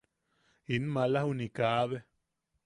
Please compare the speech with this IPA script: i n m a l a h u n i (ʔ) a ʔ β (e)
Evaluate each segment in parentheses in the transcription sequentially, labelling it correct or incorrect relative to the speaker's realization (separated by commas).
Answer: incorrect, correct